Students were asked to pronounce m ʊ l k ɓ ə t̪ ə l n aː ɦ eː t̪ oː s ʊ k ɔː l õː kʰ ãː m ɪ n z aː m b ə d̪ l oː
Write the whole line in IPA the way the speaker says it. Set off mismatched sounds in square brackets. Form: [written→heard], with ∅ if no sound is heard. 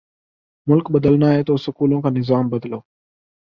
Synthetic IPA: m ʊ l k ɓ ə [t̪→d̪] ə l n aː ɦ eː t̪ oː s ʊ k [ɔː→uː] l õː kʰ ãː [m→n] ɪ [n→∅] z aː m b ə d̪ l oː